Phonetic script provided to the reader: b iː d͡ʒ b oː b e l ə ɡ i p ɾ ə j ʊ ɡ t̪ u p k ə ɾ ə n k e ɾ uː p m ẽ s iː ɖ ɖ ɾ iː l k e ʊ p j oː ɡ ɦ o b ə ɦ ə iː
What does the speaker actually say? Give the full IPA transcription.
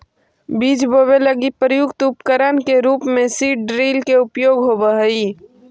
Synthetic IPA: b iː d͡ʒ b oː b e l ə ɡ i p ɾ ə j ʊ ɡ t̪ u p k ə ɾ ə n k e ɾ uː p m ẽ s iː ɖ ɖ ɾ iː l k e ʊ p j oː ɡ ɦ o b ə ɦ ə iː